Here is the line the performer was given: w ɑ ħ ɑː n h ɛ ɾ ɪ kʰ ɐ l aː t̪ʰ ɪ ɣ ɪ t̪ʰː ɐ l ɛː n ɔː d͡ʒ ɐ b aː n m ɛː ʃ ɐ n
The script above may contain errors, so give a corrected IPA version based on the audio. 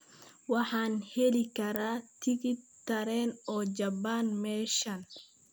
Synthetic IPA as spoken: w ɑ ħ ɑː n h ɛ l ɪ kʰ ɐ ɾ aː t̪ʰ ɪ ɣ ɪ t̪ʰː ɐ ɾ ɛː n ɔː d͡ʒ ɐ b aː n m ɛː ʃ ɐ n